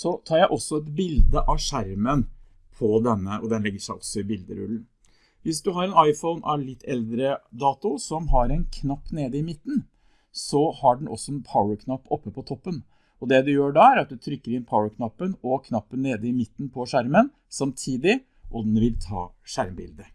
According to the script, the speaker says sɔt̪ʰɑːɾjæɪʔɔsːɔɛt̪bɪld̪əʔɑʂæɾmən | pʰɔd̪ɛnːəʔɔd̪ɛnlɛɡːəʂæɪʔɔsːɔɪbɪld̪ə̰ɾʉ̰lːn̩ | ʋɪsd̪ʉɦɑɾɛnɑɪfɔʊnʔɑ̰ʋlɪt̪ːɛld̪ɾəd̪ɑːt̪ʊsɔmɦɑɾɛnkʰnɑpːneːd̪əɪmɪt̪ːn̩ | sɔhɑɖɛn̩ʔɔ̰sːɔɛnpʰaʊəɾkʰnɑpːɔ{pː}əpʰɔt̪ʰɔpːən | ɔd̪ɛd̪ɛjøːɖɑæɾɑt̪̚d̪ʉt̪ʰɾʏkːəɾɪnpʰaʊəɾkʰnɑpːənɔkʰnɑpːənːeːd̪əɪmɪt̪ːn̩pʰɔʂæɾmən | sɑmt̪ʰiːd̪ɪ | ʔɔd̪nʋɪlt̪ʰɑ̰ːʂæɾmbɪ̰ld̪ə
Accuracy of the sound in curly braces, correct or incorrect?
correct